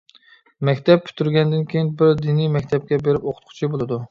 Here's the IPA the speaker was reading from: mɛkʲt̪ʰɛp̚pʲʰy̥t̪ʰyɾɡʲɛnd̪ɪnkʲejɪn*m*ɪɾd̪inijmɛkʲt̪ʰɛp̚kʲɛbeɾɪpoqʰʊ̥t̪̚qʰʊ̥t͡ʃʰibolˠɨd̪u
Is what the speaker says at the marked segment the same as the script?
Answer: no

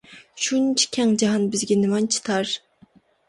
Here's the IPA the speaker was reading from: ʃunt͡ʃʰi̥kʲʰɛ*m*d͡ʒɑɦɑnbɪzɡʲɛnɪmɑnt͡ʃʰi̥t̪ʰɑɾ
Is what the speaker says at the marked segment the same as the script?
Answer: no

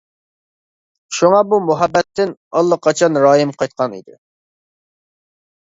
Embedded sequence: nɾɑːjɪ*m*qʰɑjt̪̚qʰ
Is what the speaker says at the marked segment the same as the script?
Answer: yes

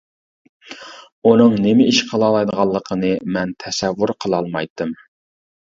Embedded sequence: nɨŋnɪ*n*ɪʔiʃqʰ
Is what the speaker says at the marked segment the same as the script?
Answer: no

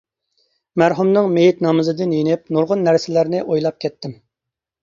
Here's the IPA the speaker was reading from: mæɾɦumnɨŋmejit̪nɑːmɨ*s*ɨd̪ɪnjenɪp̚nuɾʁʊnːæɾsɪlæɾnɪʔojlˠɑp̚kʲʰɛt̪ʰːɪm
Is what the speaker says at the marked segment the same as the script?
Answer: no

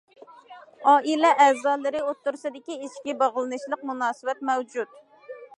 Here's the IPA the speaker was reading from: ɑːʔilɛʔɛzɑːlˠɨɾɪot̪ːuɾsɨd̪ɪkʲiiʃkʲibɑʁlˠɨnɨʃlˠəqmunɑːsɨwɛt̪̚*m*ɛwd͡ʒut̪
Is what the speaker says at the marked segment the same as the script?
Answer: yes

